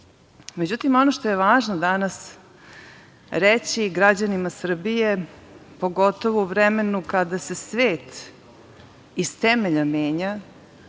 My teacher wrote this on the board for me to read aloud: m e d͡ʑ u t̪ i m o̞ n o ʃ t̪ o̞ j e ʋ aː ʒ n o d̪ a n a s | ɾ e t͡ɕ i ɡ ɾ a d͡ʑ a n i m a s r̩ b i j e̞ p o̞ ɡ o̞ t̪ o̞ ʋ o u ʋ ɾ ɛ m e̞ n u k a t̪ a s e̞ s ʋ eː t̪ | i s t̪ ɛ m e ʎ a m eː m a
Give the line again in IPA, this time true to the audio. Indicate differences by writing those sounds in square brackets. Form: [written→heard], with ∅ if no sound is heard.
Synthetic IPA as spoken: m e d͡ʑ u t̪ i m o̞ n o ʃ t̪ o̞ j e ʋ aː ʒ n o d̪ a n a s | ɾ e t͡ɕ i ɡ ɾ a d͡ʑ a n i m a s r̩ b i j e̞ p o̞ ɡ o̞ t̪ o̞ ʋ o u ʋ ɾ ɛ m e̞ n u k a [t̪→d̪] a s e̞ s ʋ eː t̪ | i s t̪ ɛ m e ʎ a m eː [m→ɲ] a

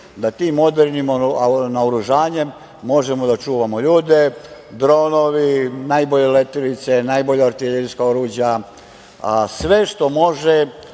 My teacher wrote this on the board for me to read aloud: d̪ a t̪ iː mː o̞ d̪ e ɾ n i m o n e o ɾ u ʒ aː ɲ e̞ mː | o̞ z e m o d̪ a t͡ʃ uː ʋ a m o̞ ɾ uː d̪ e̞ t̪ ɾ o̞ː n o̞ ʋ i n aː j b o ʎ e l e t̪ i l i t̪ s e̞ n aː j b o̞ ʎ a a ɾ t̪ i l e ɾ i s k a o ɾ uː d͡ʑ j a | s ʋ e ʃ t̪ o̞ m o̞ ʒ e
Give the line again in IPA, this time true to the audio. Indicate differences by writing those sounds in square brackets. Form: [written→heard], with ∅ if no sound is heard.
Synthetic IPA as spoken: d̪ a t̪ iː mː o̞ d̪ e ɾ n i m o n [e→a] o ɾ u ʒ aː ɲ e̞ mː | o̞ [z→ʒ] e m o d̪ a t͡ʃ uː ʋ a m o̞ [ɾ→ʎ] uː d̪ e̞ [t̪→d̪] ɾ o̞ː n o̞ ʋ i n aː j b o ʎ e l e t̪ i l i t̪ s e̞ n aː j b o̞ ʎ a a ɾ t̪ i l e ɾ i s k a o ɾ uː d͡ʑ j a | s ʋ e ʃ t̪ o̞ m o̞ ʒ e

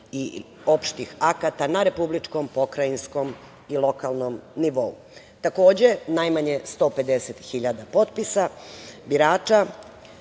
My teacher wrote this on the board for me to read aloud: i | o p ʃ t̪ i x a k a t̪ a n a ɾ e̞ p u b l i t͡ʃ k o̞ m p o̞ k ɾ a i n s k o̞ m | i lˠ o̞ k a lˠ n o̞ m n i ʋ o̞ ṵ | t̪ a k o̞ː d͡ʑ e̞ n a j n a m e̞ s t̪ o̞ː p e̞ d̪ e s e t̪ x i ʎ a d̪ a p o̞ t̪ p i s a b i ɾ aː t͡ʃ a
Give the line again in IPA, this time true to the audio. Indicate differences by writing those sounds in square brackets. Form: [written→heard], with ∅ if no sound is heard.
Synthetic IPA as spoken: i | o p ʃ t̪ i x a k a t̪ a n a ɾ e̞ p u b l i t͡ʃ k o̞ m p o̞ k ɾ a i n s k o̞ m | i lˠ o̞ k a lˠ n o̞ m n i ʋ o̞ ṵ | t̪ a k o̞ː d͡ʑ e̞ n a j [n→m] a [m→ɲ] e̞ s t̪ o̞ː p e̞ d̪ e s e t̪ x i ʎ a d̪ a p o̞ t̪ p i s a b i ɾ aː t͡ʃ a

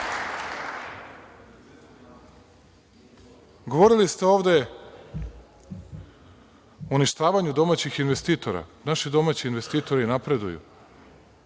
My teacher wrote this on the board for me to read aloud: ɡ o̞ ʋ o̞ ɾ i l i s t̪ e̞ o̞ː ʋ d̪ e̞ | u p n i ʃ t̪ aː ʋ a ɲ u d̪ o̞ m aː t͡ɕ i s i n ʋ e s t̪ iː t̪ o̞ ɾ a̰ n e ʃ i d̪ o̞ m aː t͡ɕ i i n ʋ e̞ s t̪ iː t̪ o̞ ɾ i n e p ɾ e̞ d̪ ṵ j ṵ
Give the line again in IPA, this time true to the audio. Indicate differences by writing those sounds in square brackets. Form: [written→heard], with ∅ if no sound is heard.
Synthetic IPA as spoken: ɡ o̞ ʋ o̞ ɾ i l i s t̪ e̞ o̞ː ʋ d̪ e̞ | u [p→∅] n i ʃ t̪ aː ʋ a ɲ u d̪ o̞ m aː t͡ɕ i [s→x] i n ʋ e s t̪ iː t̪ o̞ ɾ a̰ n [e→a] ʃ i d̪ o̞ m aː t͡ɕ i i n ʋ e̞ s t̪ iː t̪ o̞ ɾ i n [e→a] p ɾ e̞ d̪ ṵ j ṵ

